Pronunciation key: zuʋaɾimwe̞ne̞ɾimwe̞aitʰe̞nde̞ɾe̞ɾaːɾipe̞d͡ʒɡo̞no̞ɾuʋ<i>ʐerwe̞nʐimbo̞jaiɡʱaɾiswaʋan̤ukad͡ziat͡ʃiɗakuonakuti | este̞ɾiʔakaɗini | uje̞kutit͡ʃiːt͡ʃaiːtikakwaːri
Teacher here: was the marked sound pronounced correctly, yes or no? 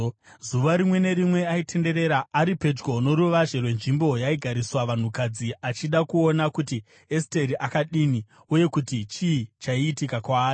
no